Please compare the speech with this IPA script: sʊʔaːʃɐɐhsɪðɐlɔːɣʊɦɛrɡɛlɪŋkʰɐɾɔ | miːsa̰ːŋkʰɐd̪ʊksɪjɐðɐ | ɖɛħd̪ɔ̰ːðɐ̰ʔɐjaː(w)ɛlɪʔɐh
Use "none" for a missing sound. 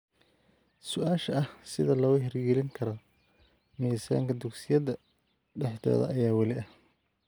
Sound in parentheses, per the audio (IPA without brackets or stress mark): w